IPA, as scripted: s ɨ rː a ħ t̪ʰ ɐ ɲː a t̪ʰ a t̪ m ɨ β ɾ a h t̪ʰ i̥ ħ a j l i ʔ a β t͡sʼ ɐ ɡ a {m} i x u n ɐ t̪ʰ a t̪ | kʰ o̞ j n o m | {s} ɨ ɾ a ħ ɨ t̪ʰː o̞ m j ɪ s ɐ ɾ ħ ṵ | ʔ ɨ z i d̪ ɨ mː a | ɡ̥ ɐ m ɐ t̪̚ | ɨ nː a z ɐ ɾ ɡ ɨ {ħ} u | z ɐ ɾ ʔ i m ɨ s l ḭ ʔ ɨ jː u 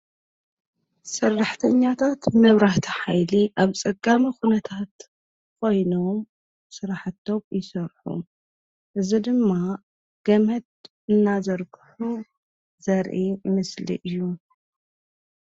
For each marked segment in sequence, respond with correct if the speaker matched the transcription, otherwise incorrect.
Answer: correct, correct, correct

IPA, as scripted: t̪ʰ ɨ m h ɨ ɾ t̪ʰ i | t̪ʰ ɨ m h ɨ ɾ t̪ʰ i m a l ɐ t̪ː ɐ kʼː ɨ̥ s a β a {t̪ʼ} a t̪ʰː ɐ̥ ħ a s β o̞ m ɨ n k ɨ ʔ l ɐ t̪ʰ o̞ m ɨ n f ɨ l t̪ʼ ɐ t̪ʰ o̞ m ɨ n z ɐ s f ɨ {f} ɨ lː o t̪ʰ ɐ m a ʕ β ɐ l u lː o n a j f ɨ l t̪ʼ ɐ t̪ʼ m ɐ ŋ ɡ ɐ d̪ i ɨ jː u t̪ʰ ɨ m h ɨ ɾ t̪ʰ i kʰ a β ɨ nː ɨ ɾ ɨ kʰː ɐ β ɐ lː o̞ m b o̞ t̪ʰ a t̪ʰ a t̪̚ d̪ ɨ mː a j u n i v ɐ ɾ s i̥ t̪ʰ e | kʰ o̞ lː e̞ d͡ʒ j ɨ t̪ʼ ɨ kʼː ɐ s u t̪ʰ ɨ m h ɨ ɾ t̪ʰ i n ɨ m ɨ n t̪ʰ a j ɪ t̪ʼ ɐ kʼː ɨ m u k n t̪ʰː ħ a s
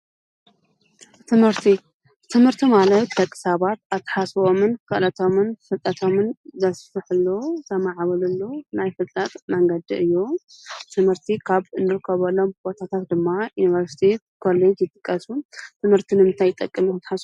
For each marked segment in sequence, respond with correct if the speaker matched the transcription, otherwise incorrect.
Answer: incorrect: t̪, incorrect: ħ

